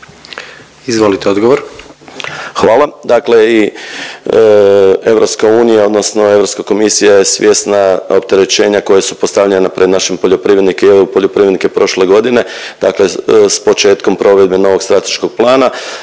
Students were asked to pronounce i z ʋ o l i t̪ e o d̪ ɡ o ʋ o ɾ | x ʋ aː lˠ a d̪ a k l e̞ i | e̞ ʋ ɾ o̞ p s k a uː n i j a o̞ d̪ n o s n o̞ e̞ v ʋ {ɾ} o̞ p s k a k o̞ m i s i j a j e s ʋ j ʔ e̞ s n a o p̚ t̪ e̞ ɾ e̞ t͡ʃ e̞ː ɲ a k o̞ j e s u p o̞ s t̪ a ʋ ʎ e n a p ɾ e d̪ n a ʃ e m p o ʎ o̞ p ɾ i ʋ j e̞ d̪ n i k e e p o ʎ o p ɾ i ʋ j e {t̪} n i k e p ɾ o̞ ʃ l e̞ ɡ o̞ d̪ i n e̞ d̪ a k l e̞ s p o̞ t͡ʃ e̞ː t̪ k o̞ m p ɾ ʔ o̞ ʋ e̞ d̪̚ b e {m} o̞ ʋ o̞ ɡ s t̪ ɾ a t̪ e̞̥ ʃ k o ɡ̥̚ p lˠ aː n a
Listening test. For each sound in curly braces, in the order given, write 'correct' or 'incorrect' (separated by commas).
correct, incorrect, incorrect